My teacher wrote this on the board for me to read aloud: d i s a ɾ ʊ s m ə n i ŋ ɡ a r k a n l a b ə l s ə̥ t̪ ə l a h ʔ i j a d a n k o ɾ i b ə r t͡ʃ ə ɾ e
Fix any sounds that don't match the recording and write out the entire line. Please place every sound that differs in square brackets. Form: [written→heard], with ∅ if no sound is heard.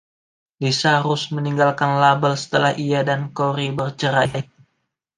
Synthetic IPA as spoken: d i s a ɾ ʊ s m ə n i ŋ ɡ a [r→l] k a n l a b ə l s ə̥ t̪ ə l a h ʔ i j a d a n k o ɾ i b ə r t͡ʃ ə ɾ [e→a]